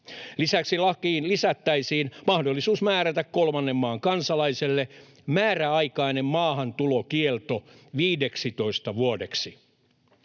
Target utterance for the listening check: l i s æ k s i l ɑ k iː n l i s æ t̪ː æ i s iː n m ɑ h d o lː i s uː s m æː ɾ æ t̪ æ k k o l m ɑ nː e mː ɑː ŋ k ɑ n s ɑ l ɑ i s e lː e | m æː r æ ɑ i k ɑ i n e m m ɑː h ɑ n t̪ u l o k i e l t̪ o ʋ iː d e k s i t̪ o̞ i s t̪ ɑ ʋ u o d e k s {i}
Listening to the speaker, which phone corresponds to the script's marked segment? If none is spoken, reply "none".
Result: i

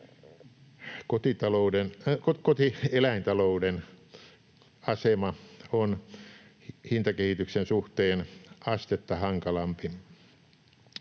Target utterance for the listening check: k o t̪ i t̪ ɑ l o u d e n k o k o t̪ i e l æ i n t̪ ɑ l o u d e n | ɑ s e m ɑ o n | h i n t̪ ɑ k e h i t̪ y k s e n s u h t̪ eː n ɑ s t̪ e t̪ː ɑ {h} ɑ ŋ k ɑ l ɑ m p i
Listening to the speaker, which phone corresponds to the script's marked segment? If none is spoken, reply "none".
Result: h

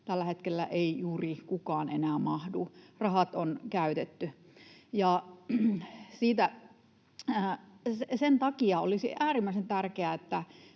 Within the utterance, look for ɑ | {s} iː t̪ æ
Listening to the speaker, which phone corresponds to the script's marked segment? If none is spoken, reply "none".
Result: s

